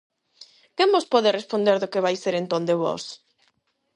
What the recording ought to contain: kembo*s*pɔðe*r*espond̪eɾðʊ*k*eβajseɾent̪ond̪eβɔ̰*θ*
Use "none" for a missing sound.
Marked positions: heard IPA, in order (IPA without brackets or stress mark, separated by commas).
s, r, k, s